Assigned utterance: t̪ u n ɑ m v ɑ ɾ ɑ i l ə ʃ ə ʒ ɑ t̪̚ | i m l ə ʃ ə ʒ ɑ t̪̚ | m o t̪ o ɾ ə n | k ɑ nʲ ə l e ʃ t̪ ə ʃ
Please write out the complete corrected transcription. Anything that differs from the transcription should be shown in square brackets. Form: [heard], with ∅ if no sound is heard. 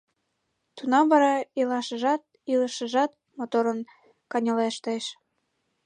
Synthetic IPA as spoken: t̪ u n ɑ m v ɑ ɾ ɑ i l [ɑ] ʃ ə ʒ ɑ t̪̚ | i [∅] l ə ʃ ə ʒ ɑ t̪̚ | m o t̪ o ɾ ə n | k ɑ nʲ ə l e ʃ t̪ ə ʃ